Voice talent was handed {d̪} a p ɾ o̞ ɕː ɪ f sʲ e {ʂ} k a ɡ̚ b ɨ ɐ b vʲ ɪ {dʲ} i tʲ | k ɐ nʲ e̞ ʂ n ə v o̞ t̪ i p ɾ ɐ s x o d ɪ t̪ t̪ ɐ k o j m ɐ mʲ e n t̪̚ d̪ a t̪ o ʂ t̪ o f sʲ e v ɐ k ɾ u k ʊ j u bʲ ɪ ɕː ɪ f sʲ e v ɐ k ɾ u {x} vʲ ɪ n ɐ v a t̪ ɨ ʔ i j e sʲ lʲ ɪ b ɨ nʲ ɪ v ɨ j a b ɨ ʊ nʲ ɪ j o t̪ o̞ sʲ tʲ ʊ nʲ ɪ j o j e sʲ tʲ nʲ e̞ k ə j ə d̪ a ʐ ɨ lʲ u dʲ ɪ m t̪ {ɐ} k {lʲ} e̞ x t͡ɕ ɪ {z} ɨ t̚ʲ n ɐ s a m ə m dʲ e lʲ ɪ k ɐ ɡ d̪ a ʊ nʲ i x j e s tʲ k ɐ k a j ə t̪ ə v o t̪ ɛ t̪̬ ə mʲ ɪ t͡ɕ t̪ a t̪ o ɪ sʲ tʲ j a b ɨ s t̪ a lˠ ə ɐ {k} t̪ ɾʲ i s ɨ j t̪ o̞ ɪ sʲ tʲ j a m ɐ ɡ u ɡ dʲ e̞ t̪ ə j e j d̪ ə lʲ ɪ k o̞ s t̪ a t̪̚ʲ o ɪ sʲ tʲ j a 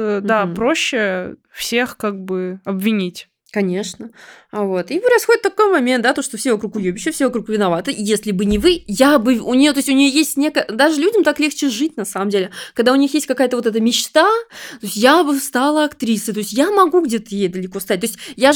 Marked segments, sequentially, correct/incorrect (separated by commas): correct, incorrect, incorrect, incorrect, incorrect, correct, incorrect, correct